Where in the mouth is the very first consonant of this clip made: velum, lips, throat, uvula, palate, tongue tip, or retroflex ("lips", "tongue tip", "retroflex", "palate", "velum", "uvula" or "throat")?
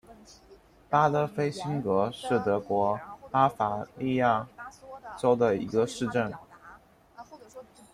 lips